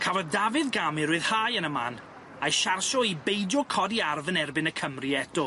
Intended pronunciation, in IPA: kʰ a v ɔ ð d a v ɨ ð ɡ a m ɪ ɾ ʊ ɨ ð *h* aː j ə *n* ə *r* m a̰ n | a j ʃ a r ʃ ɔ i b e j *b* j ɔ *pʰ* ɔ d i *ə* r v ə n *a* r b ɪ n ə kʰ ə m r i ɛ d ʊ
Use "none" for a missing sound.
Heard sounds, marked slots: h, n, none, d, kʰ, a, ɛ

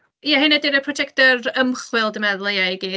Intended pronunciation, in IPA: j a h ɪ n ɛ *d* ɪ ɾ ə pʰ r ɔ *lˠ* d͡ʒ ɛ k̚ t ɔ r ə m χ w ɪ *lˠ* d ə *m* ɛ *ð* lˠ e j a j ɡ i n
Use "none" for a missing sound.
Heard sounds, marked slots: d, none, lˠ, m, ð

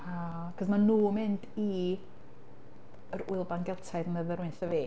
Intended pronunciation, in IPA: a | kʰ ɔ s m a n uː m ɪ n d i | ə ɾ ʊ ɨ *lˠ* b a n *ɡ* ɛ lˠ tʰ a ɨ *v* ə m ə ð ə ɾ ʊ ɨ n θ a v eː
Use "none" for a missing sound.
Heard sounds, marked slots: lˠ, ɡ, ð

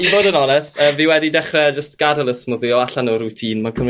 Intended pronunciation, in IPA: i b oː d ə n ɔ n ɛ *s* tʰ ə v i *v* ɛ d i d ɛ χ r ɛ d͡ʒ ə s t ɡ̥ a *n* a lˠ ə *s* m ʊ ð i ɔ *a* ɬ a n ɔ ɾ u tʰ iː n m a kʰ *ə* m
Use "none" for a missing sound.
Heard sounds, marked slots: s, w, d, s, a, ə

